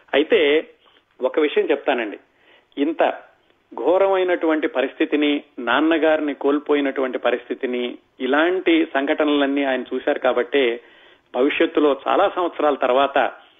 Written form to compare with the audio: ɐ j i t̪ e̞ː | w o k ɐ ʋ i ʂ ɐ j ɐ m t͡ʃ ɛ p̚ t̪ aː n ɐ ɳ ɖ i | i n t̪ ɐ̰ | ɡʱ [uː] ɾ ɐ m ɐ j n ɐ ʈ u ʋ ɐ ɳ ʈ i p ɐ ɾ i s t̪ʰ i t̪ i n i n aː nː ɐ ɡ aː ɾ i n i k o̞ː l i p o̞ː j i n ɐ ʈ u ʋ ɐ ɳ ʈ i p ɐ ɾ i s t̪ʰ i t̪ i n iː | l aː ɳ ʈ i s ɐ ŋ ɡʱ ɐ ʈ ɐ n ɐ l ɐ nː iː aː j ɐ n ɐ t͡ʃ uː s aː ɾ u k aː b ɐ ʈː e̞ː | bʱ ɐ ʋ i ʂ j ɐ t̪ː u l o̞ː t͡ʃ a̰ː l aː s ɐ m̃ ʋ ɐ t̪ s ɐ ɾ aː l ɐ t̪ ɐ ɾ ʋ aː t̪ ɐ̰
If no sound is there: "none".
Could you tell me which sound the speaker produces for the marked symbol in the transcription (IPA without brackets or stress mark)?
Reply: ɔː